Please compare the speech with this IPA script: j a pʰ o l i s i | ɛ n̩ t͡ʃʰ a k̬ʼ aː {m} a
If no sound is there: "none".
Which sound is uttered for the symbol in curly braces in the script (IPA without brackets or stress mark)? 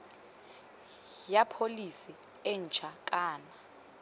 n